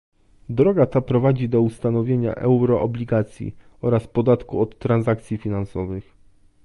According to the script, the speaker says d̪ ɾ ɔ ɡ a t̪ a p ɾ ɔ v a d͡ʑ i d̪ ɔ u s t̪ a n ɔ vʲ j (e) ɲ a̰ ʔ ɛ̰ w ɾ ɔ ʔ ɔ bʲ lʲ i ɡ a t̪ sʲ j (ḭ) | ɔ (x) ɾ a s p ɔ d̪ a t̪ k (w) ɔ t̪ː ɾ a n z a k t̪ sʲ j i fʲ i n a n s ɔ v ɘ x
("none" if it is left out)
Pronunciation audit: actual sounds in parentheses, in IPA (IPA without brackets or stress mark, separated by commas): e, ḭ, none, u